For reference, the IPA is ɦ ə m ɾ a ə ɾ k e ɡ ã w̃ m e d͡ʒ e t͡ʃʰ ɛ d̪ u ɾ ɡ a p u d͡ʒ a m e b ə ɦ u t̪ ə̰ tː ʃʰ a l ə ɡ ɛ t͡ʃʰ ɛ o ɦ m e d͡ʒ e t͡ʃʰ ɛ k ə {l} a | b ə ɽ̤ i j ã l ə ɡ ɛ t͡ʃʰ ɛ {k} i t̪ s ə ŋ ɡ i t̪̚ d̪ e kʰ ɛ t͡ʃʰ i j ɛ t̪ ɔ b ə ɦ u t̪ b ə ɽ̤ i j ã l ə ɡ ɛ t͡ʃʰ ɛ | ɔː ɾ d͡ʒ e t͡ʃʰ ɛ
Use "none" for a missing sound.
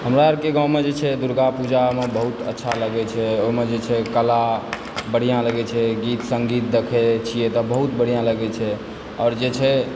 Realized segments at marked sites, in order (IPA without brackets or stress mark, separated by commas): l, ɡ